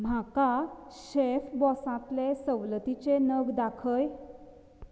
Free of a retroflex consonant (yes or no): yes